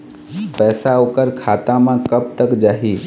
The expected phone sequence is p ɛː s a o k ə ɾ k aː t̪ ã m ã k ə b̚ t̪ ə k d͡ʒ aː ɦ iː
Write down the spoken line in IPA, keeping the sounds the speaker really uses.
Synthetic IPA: p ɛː s a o k ə ɾ kʰ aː t̪ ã m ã k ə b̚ t̪ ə k d͡ʒ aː ɦ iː